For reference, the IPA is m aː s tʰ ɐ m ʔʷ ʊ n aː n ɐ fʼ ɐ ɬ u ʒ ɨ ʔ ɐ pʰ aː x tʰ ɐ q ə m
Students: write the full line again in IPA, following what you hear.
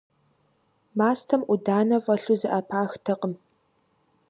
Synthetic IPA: m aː s tʰ ɐ m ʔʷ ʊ d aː n ɐ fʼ ɐ ɬ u z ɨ ʔ ɐ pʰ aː x tʰ ɐ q ə m